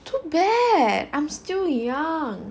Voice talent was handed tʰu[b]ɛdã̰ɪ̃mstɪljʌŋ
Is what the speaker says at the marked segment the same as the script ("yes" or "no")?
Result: yes